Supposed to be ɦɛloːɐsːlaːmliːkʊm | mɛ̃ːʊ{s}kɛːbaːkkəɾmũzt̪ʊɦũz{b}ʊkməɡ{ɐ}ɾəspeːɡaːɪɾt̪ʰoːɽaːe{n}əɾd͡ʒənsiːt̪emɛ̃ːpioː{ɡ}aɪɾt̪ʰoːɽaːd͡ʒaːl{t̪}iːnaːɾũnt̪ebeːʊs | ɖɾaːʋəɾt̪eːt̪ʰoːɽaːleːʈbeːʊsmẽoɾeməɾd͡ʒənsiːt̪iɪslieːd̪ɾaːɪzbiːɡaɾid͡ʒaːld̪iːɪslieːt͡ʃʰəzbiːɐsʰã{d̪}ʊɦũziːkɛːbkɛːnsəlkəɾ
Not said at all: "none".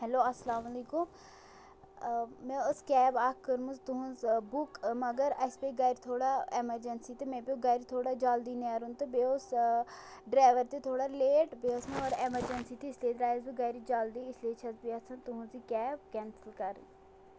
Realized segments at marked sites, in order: s, b, ə, m, ɡ, d̪, t̪

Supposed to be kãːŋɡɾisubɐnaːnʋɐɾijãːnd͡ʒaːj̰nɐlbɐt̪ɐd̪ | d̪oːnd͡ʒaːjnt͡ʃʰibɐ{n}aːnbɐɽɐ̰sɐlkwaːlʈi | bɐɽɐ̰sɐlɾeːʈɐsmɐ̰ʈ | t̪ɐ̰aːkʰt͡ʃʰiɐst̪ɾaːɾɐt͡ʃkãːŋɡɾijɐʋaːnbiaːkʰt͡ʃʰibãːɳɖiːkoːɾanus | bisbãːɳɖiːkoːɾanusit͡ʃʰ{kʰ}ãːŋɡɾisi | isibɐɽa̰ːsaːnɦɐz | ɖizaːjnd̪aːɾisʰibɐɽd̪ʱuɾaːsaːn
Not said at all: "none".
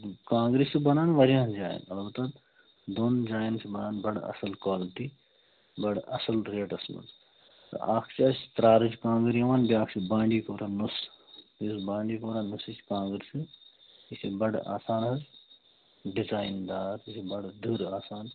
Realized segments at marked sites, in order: n, k

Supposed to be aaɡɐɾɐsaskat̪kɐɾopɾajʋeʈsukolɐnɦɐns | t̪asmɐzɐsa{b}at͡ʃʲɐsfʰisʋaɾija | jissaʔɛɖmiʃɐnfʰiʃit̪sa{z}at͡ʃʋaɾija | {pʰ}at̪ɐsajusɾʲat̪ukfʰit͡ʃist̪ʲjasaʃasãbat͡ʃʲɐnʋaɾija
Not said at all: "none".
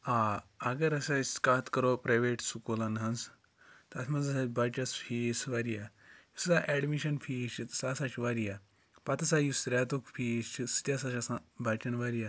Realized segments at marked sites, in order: b, s, p

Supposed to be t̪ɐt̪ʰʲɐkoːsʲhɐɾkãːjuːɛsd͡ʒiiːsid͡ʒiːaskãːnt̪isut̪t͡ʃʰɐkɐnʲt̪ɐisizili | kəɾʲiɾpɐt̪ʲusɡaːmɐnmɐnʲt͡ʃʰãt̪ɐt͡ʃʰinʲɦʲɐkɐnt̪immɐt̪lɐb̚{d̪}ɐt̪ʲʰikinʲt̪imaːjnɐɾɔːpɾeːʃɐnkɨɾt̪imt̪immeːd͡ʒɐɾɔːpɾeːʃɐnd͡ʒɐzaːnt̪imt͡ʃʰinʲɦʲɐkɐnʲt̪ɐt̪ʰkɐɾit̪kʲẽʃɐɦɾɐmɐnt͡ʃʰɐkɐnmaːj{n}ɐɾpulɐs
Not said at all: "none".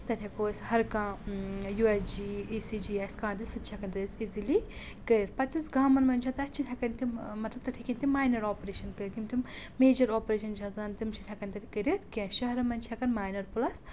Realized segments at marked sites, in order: t̪, n

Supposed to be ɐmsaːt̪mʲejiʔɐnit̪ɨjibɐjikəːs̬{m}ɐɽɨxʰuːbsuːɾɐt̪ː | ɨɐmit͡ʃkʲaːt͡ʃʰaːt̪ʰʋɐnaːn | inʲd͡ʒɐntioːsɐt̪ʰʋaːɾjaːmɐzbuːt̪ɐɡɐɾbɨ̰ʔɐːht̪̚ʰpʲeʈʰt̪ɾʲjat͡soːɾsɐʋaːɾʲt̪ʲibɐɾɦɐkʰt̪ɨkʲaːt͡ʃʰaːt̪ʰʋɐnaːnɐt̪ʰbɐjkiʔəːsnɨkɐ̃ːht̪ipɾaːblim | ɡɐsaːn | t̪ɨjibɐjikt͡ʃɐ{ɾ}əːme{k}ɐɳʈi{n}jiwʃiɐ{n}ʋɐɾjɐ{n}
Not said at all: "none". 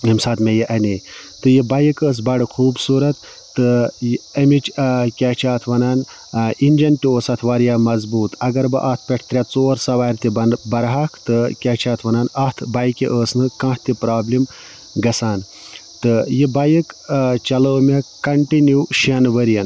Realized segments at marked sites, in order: b, l, k, n, n, n

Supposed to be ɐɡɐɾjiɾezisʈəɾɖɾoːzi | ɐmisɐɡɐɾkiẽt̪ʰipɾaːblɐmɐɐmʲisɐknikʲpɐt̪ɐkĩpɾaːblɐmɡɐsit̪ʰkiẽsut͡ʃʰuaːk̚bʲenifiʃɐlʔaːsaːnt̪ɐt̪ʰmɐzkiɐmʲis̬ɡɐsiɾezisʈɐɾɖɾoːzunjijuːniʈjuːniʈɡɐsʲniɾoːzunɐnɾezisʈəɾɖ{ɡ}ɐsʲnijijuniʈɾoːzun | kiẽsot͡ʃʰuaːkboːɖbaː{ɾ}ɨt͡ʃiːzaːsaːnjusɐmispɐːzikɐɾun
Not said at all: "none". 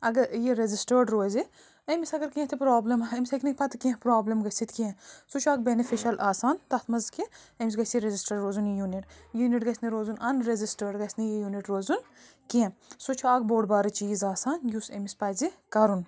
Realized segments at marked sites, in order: ɡ, ɾ

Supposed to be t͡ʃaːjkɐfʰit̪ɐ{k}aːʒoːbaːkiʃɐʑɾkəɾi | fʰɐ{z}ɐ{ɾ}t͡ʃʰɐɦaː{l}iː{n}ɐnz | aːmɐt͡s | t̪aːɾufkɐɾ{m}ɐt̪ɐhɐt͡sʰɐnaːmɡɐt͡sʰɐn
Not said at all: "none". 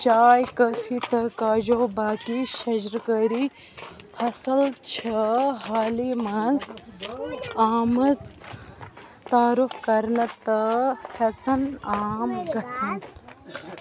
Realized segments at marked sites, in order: k, s, l, l, m, n

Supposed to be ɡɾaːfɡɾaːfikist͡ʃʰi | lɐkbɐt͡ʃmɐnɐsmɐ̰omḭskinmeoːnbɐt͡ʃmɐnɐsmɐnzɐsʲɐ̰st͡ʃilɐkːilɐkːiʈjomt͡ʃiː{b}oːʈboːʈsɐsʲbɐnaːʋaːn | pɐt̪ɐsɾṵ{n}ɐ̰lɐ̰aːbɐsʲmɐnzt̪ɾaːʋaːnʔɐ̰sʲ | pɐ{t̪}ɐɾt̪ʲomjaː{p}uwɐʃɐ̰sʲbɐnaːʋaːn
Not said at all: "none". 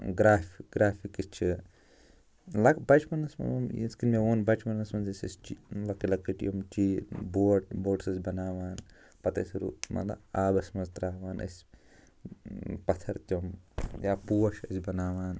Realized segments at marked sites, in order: b, m, t̪ʰ, p

